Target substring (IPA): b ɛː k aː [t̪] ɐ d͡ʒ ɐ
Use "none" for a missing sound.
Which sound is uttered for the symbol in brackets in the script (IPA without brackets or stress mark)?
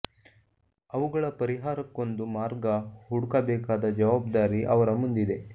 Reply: d̪